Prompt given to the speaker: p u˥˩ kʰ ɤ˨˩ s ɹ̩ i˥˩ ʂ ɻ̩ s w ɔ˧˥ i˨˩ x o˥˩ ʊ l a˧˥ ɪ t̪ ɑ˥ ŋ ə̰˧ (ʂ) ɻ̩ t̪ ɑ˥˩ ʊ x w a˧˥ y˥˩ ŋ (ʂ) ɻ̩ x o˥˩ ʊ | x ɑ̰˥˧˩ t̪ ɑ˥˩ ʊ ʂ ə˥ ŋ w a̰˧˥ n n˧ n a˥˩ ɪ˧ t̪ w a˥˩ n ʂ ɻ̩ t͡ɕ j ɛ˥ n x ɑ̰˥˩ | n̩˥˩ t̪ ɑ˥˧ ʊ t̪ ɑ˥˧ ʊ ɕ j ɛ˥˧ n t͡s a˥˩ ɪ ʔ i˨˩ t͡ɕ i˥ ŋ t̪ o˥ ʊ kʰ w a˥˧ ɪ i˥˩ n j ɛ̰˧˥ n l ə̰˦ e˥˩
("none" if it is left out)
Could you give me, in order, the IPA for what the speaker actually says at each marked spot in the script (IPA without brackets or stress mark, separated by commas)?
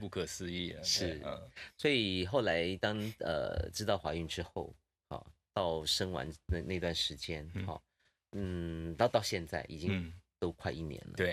ʈ͡ʂ, ʈ͡ʂ